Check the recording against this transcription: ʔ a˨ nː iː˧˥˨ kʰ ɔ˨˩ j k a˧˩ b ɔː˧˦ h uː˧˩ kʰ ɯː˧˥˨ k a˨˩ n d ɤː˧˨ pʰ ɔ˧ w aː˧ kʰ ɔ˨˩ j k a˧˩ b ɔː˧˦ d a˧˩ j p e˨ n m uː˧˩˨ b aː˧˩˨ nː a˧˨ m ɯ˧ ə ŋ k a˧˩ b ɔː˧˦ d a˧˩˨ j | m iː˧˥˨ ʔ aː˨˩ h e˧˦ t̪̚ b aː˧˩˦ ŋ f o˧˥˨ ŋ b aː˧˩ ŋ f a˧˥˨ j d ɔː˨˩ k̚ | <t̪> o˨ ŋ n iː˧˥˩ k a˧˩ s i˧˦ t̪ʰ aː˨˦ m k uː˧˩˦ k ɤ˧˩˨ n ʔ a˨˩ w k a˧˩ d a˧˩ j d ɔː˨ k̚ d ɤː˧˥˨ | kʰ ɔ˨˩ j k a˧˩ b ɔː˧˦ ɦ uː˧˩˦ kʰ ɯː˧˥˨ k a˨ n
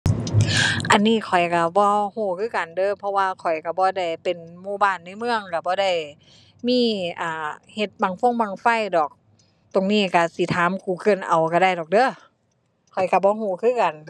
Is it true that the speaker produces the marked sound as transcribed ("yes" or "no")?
yes